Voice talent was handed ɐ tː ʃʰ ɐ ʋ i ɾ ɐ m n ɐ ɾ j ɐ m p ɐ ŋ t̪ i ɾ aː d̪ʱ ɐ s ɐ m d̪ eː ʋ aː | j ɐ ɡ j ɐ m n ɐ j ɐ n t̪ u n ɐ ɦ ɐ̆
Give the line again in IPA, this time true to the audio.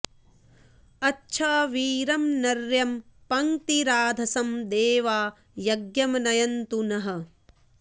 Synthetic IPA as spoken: ɐ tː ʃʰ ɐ ʋ iː ɾ ɐ m n ɐ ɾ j ɐ m p ɐ ŋ t̪ i ɾ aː d̪ʱ ɐ s ɐ m d̪ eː ʋ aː | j ɐ ɡ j ɐ m n ɐ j ɐ n t̪ u n ɐ ɦ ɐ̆

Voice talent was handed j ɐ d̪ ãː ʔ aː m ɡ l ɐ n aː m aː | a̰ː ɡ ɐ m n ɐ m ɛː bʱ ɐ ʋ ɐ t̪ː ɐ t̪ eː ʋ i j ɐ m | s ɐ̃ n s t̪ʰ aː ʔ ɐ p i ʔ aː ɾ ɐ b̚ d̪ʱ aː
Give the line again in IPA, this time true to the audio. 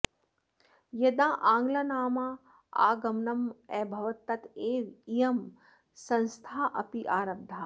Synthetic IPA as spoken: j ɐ d̪ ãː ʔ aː ŋ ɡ l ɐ n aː m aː | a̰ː ɡ ɐ m n ɐ m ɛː bʱ ɐ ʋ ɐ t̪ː ɐ t̪ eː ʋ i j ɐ m | s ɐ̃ n s t̪ʰ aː ʔ ɐ p i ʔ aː ɾ ɐ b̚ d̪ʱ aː

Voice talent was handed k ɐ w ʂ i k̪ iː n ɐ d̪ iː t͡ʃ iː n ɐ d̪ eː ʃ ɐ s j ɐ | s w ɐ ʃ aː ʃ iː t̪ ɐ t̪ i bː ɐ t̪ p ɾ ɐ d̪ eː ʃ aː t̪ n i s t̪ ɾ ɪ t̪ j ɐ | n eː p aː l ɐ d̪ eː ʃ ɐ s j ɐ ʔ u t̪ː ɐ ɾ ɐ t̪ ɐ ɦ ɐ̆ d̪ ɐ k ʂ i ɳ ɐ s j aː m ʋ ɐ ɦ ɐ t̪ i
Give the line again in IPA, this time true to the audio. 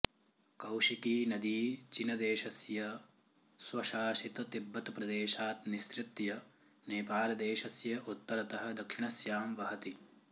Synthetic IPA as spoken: k ɐ w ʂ i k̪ iː n ɐ d̪ iː t͡ʃ i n ɐ d̪ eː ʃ ɐ s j ɐ | s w ɐ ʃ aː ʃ i t̪ ɐ t̪ i bː ɐ t̪ p ɾ ɐ d̪ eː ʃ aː t̪ n i s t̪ ɾ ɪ t̪ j ɐ | n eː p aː l ɐ d̪ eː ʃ ɐ s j ɐ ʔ u t̪ː ɐ ɾ ɐ t̪ ɐ ɦ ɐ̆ d̪ ɐ k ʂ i ɳ ɐ s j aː m ʋ ɐ ɦ ɐ t̪ i

